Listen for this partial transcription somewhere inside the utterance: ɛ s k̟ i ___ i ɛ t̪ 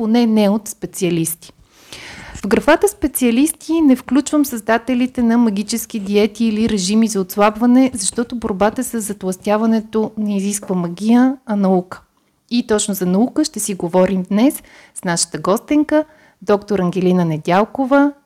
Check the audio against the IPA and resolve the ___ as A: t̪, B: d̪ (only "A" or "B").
B